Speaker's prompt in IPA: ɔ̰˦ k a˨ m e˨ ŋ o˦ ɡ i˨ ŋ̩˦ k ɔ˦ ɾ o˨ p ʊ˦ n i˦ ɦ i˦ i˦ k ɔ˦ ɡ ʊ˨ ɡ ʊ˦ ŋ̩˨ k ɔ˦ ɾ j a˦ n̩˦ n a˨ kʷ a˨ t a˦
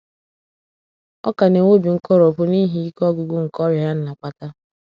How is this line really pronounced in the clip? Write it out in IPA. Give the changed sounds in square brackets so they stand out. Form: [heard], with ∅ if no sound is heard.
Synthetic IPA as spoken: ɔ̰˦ k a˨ [n] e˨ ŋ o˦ [b] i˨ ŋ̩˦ k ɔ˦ ɾ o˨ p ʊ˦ n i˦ ɦ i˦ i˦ k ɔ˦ ɡ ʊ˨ ɡ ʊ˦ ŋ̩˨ k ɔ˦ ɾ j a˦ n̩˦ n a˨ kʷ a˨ t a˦